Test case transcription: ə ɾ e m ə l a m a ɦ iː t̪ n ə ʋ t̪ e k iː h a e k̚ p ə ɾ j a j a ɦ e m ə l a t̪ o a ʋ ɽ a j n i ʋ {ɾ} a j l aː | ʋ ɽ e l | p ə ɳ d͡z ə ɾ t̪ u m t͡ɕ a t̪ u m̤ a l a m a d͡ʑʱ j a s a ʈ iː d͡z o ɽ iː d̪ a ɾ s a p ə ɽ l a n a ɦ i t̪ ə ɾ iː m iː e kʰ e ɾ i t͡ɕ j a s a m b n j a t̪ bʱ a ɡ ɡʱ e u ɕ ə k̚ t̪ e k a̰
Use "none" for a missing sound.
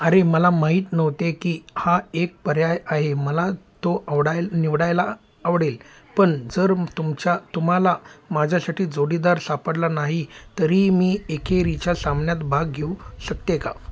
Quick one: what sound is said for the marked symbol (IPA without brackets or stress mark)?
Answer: ɽ